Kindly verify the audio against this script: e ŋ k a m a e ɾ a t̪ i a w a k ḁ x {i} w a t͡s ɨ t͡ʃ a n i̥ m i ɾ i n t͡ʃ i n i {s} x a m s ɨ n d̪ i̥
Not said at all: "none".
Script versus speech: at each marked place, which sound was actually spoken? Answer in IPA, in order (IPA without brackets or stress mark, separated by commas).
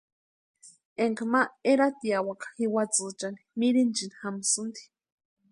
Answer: i, none